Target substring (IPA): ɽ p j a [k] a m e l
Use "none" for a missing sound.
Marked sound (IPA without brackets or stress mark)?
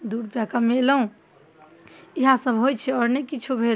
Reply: k